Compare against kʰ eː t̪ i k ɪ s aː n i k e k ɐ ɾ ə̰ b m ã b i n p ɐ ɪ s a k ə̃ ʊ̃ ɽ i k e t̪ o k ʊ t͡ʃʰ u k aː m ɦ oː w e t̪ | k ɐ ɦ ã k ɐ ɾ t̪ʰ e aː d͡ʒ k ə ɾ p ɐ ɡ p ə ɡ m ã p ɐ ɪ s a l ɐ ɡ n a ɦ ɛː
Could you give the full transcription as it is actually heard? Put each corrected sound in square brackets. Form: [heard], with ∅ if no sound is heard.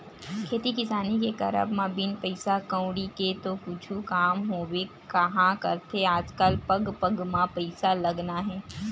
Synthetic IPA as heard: kʰ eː t̪ i k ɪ s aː n i k e k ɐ ɾ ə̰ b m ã b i n p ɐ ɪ s a k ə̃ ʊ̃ ɽ i k e t̪ o k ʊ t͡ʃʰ u k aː m ɦ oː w e [∅] | k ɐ ɦ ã k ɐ ɾ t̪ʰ e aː d͡ʒ k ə [l] p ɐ ɡ p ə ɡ m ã p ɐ ɪ s a l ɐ ɡ n a ɦ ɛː